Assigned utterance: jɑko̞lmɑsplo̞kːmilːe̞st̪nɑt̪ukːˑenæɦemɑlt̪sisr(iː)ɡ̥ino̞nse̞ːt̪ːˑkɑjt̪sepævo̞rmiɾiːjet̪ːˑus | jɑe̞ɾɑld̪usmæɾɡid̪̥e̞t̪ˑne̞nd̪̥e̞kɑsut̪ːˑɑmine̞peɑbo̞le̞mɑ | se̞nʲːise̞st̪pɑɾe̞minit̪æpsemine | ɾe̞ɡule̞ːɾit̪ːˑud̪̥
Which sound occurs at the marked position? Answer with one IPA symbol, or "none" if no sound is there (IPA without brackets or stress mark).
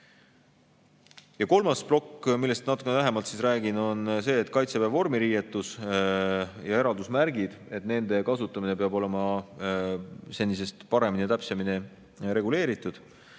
æː